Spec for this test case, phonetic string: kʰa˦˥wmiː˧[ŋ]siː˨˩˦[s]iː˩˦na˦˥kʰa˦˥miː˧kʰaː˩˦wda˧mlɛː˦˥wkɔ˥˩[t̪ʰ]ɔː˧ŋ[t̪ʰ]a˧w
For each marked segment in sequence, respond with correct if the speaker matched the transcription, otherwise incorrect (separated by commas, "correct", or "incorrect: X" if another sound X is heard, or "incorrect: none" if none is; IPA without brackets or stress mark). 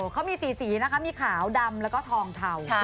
incorrect: none, correct, correct, correct